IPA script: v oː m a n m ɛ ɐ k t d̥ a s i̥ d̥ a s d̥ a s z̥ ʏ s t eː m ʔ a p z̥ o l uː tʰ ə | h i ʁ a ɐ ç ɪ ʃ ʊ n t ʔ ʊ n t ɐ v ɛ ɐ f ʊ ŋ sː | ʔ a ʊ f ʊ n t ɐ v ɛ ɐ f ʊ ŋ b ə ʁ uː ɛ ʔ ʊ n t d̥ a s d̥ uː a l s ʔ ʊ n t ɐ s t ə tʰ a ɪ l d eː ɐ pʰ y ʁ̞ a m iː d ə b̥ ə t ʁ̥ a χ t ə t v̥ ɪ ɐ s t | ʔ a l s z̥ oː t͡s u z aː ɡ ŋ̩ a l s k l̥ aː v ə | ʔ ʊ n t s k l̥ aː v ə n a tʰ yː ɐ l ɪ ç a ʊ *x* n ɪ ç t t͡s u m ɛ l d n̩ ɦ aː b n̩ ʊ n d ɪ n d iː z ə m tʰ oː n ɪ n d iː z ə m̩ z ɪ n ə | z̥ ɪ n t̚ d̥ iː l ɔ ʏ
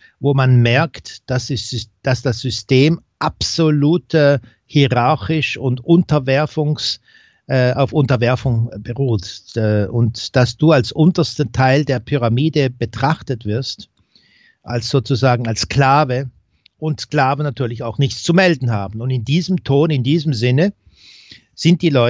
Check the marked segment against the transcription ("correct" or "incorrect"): correct